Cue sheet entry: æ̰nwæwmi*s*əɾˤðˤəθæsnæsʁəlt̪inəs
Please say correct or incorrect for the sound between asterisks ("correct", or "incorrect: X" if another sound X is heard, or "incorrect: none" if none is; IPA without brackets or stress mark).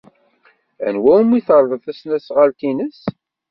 incorrect: θ